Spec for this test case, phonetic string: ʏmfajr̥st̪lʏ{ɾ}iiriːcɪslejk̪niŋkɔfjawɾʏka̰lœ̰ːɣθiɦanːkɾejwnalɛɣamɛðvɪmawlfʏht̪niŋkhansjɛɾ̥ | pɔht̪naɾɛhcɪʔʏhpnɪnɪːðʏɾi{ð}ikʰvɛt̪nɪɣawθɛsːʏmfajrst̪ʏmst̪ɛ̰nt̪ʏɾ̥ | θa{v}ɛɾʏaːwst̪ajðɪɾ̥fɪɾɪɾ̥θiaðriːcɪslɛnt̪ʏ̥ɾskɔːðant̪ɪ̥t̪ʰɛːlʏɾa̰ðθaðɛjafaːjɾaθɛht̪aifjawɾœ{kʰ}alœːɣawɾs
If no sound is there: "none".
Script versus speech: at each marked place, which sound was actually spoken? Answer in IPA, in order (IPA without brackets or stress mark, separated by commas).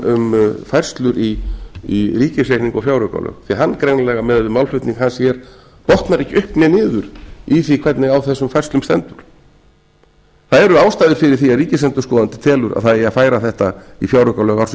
ɾ, θ, ð, k